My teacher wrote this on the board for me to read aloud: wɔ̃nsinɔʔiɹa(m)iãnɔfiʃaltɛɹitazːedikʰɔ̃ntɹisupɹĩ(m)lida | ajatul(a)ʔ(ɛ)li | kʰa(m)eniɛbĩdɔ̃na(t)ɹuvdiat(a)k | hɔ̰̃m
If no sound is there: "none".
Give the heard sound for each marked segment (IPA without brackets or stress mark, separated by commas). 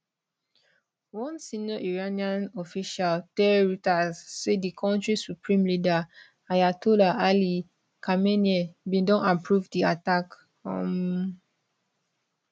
n, m, a, a, m, p, a